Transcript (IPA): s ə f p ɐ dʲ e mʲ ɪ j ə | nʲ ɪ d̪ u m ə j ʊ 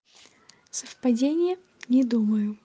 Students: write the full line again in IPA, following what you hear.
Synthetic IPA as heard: s ə f p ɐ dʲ e nʲ ɪ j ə | nʲ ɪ d̪ u m ə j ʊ

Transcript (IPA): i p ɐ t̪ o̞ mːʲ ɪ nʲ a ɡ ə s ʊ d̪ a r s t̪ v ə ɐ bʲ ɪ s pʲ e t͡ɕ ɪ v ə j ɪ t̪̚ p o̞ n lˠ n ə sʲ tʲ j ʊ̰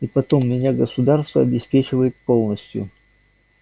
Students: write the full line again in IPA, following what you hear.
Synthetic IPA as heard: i p ɐ t̪ o̞ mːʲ ɪ nʲ a ɡ ə s ʊ d̪ a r s t̪ v ə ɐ bʲ ɪ s pʲ e t͡ɕ ɪ v ə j ɪ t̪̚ p o̞ lˠ n ə sʲ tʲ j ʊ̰

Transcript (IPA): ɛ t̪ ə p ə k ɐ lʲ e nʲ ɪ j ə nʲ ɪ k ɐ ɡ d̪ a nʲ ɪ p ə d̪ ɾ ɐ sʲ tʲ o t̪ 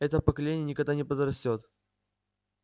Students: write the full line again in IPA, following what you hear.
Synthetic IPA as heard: ɛ t̪ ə p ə k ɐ lʲ e nʲ ɪ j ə nʲ ɪ k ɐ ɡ d̪ a nʲ ɪ p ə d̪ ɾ ɐ sʲ tʲ o t̪

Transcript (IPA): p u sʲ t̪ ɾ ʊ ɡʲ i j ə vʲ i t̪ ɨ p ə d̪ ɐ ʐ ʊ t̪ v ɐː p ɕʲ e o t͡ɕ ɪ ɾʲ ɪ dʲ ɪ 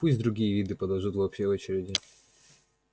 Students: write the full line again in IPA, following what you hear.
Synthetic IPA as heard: p u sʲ d̪ ɾ ʊ ɡʲ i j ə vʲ i d̪ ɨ p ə d̪ ɐ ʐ u t̪ v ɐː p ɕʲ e o t͡ɕ ɪ ɾʲ ɪ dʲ ɪ

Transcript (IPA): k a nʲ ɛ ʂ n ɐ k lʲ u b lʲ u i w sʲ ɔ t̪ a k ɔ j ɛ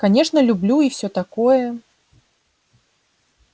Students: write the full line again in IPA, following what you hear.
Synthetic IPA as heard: k a nʲ ɛ ʂ n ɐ lʲ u b lʲ u i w sʲ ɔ t̪ a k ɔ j ɛ

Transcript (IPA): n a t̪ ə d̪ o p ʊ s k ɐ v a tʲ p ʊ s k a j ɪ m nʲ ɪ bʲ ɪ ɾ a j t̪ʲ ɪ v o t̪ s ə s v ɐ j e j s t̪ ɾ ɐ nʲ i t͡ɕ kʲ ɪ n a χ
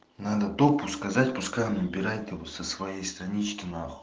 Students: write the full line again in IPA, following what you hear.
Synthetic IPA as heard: n a d̪ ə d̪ o p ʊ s k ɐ z a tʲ p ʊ s k a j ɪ m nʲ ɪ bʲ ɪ ɾ a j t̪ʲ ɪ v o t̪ s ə s v ɐ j e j s t̪ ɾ ɐ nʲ i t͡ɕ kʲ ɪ n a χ

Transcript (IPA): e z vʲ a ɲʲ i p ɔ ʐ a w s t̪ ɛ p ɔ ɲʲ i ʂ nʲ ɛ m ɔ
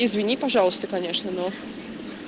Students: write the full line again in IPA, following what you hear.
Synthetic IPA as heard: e z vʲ i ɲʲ i p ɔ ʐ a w s t̪ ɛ k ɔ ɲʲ ɛ ʂ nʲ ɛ n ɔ

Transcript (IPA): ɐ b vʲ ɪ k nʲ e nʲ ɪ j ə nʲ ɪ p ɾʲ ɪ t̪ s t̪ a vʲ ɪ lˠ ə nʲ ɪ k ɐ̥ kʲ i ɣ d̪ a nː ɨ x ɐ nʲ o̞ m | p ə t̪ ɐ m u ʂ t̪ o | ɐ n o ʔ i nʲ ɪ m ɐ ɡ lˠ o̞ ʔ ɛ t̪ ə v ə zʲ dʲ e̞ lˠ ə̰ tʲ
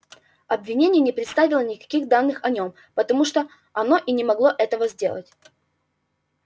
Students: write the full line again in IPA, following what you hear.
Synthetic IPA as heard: ɐ b vʲ ɪ nʲ e nʲ ɪ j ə nʲ ɪ p ɾʲ ɪ t̪ s t̪ a vʲ ɪ lˠ ə nʲ ɪ k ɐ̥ kʲ i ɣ d̪ a nː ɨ x ɐ nʲ o̞ m | p ə t̪ ɐ m u ʂ t̪ o | ɐ n o ʔ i nʲ ɪ m ɐ ɡ lˠ o̞ ʔ ɛ t̪ ə v ə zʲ dʲ e̞ lˠ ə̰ tʲ

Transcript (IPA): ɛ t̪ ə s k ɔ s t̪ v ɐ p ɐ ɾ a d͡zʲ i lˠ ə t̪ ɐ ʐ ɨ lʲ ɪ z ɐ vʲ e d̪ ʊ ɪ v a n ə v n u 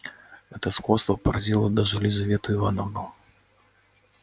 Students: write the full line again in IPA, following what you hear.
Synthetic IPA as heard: ɛ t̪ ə s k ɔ s t̪ v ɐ p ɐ ɾ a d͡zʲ i lˠ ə d̪ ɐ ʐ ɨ lʲ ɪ z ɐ vʲ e t̪ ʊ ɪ v a n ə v n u

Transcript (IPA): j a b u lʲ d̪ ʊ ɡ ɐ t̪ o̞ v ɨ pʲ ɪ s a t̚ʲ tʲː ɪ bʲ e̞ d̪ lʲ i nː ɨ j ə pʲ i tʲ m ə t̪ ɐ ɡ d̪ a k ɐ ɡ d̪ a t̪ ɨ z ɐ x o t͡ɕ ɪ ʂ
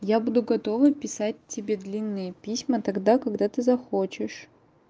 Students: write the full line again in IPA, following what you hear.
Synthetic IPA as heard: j a b u d̪ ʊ ɡ ɐ t̪ o̞ v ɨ pʲ ɪ s a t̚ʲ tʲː ɪ bʲ e̞ d̪ lʲ i nː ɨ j ə pʲ i sʲ m ə t̪ ɐ ɡ d̪ a k ɐ ɡ d̪ a t̪ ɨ z ɐ x o t͡ɕ ɪ ʂ

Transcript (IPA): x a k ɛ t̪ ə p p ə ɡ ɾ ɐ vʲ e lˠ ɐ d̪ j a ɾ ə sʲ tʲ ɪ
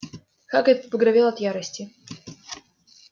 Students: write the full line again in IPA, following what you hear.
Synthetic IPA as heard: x a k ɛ t̪ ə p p ə ɡ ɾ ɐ vʲ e lˠ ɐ t̪ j a ɾ ə sʲ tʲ ɪ

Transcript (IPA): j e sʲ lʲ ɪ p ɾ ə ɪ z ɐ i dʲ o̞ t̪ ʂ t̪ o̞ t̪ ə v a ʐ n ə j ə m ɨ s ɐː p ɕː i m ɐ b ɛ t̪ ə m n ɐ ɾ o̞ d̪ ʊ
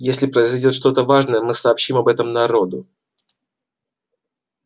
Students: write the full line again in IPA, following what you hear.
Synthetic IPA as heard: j e sʲ lʲ ɪ p ɾ ə ɪ z ɐ j dʲ o̞ t̪ ʂ t̪ o̞ t̪ ə v a ʐ n ə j ə m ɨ s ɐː p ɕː i m ɐ b ɛ t̪ ə m n ɐ ɾ o̞ d̪ ʊ

